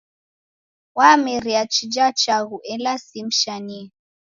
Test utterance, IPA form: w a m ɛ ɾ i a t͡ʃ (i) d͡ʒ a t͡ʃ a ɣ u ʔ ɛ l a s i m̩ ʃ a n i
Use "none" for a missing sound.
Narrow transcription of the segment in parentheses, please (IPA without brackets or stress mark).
i